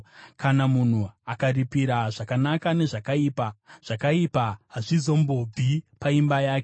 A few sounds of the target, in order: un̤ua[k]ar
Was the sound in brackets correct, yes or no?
yes